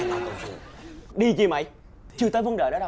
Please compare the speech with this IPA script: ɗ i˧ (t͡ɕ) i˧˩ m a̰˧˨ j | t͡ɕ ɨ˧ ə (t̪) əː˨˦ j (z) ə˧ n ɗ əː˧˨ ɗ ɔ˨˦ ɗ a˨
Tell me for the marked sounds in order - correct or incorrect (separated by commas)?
correct, correct, incorrect